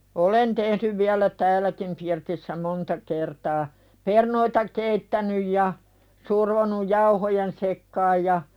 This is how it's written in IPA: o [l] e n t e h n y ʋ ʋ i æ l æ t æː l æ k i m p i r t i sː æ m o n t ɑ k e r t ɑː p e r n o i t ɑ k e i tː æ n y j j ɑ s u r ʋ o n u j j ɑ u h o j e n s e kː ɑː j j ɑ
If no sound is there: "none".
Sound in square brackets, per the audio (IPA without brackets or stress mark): l